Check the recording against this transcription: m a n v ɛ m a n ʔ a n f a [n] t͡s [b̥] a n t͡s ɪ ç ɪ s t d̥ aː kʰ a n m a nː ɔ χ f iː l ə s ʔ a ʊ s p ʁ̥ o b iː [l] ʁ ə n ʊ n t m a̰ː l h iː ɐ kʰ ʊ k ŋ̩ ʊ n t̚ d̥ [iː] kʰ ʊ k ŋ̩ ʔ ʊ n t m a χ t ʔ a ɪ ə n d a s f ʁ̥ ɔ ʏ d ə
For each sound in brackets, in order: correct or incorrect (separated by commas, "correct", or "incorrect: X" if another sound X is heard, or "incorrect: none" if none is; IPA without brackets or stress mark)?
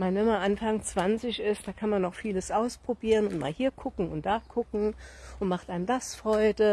incorrect: ŋ, incorrect: v̥, incorrect: none, incorrect: aː